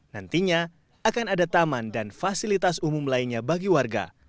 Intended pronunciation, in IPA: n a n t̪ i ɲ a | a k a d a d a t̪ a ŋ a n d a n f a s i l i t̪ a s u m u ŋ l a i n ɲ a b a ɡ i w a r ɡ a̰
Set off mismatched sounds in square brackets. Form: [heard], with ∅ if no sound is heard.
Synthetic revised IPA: n a n t̪ i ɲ a | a k a [n] a d a t̪ a [m] a n d a n f a s i l i t̪ a s u m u [m] l a i n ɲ a b a ɡ i w a r ɡ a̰